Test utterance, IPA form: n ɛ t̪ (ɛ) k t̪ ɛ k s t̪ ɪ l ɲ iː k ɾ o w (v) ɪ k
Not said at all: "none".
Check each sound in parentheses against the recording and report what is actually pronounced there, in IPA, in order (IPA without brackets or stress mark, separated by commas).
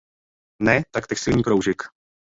a, ʒ